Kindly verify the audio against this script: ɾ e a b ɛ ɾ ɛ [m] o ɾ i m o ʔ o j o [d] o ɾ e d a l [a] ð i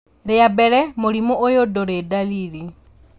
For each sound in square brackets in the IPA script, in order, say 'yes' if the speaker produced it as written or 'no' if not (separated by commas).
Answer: yes, yes, no